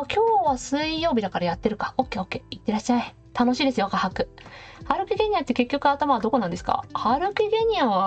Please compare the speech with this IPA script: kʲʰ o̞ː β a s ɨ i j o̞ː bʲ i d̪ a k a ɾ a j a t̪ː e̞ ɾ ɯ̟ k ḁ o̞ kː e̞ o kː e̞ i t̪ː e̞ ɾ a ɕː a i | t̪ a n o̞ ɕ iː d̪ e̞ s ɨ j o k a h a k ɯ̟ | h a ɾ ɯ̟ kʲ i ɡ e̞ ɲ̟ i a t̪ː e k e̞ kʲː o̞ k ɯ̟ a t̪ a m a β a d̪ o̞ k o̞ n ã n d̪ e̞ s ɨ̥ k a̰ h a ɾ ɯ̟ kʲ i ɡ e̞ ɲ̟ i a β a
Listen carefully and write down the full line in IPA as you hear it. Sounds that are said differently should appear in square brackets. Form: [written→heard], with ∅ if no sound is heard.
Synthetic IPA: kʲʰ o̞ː β a s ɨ i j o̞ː bʲ i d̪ a k a ɾ a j a t̪ː e̞ ɾ ɯ̟ k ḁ o̞ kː e̞ o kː e̞ i t̪ː e̞ ɾ a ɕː a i | t̪ a n o̞ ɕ iː d̪ e̞ s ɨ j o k a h a k ɯ̟ | h a ɾ ɯ̟ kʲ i ɡ e̞ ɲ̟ i a t̪ː e k e̞ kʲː o̞ k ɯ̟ a t̪ a m a β a d̪ o̞ k o̞ n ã n d̪ e̞ s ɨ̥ k a̰ h a ɾ ɯ̟ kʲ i ɡ e̞ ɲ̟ i a β a